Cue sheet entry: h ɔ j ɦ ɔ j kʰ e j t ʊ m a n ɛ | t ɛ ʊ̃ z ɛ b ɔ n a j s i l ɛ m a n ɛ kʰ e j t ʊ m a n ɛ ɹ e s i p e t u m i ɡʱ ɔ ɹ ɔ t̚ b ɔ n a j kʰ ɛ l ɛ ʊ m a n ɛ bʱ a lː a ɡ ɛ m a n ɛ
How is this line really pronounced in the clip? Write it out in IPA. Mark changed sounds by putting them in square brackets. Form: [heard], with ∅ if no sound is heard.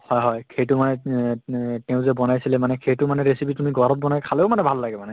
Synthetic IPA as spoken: h ɔ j ɦ ɔ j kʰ e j t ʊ m a n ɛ | t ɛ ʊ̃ z ɛ b ɔ n a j s i l ɛ m a n ɛ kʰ e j t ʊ m a n ɛ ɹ e s i p [i] t u m i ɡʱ ɔ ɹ ɔ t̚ b ɔ n a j kʰ [a] l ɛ ʊ m a n ɛ bʱ a lː a ɡ ɛ m a n ɛ